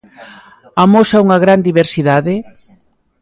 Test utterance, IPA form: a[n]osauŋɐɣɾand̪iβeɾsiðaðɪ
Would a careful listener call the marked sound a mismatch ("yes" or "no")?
yes